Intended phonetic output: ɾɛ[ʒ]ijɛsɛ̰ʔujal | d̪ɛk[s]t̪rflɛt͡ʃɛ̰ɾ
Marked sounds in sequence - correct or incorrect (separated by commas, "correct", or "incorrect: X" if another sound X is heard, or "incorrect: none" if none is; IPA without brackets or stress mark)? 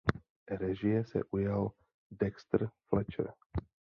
correct, correct